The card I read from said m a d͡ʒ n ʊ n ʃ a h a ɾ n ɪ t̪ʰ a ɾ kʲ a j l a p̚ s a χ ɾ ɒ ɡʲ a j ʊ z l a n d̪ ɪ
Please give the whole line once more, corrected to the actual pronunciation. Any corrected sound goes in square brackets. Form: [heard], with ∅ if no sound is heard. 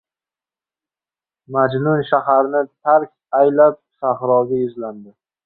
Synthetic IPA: m a d͡ʒ n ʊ n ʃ a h a ɾ n ɪ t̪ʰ a ɾ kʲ a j l a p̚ s a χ ɾ ɒ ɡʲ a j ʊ z l a n d̪ ɪ